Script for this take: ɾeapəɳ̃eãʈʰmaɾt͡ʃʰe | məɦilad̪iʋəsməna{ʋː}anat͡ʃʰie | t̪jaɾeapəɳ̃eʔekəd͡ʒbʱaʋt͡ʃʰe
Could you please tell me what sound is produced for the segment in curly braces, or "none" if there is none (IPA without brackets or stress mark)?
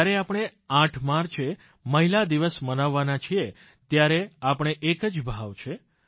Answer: ʋː